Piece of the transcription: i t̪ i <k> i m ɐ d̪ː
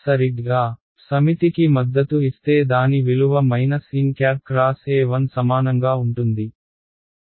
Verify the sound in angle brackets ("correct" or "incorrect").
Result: correct